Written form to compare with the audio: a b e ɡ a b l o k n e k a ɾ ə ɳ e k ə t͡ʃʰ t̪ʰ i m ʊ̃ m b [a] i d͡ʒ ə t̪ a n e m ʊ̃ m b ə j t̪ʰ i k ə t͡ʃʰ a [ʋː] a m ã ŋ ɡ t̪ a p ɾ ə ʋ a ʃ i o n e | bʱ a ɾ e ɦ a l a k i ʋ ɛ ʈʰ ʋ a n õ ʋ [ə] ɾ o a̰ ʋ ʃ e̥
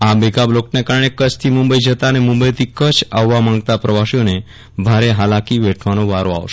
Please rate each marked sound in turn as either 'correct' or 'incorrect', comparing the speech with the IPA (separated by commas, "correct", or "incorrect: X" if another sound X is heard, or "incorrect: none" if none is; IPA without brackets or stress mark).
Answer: incorrect: ə, correct, incorrect: a